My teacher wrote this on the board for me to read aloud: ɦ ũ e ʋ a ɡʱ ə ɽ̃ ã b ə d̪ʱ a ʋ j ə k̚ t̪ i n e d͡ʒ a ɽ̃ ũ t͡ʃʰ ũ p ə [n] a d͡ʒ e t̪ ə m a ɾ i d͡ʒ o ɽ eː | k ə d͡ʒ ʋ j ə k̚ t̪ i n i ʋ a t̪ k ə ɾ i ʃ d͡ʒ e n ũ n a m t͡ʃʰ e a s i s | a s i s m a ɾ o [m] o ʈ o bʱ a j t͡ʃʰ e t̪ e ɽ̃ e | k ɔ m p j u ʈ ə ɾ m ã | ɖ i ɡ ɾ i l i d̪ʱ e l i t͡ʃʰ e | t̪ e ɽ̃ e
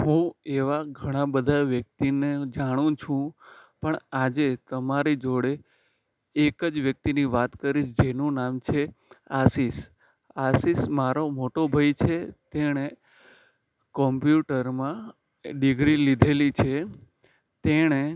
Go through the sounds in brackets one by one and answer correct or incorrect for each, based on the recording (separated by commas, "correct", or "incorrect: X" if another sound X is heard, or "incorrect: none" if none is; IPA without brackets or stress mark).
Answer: incorrect: ɳ, correct